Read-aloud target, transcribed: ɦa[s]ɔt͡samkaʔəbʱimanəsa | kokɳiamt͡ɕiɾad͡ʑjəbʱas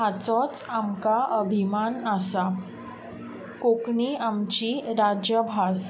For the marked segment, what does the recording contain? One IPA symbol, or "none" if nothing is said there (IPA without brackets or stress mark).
t͡s